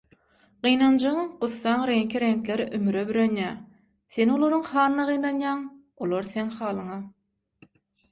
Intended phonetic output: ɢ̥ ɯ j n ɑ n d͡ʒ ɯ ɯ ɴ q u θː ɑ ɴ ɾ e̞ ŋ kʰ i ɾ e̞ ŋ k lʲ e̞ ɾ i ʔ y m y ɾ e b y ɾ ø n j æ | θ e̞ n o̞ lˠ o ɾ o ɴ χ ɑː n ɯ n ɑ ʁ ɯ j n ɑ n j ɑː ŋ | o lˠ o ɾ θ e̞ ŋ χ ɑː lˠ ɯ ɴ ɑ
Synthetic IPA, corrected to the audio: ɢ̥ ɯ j n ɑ n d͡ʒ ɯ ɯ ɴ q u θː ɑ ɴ ɾ e̞ ŋ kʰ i ɾ e̞ ŋ k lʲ e̞ ɾ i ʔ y m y ɾ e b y ɾ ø n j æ | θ e̞ n o̞ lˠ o ɾ u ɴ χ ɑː n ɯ n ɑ ʁ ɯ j n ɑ n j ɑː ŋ | o lˠ o ɾ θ e̞ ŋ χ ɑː lˠ ɯ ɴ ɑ